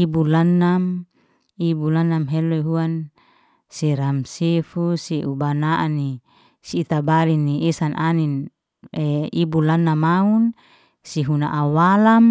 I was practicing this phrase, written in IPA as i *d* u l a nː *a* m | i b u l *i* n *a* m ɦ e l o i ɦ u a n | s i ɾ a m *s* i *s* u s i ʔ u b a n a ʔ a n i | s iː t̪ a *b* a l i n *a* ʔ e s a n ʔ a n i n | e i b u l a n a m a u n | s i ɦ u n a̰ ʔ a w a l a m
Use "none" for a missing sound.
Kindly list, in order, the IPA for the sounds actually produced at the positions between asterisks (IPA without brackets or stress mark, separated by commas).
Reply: b, a, a, a, s, f, b, i